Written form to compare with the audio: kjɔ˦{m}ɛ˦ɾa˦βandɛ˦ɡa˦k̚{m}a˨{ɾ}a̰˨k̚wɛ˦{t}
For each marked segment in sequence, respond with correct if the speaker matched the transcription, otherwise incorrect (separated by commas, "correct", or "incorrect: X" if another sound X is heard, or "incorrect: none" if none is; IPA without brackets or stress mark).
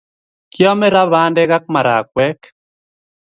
correct, correct, correct, incorrect: k